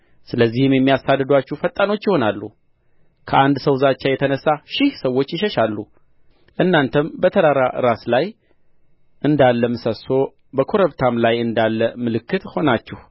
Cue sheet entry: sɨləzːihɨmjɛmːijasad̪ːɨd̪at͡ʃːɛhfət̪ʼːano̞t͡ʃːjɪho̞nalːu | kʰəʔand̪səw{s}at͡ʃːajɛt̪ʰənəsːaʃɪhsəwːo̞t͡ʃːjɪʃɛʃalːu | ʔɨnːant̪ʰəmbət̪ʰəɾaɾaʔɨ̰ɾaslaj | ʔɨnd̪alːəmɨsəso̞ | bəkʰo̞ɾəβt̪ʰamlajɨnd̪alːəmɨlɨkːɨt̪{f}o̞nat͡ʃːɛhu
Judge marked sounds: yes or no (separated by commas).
no, no